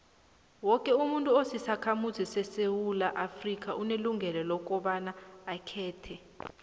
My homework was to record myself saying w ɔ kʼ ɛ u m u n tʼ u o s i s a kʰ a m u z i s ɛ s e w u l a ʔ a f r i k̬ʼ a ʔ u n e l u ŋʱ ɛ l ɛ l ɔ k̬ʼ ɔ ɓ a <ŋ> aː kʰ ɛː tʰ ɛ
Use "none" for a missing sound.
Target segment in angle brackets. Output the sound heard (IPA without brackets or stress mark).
n